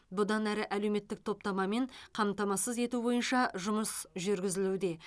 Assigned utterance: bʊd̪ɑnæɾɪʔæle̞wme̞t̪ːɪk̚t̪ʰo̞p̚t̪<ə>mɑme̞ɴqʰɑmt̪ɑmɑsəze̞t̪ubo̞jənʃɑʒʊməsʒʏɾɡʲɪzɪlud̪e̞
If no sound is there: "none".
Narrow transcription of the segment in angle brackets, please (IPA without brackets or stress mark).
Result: ɑ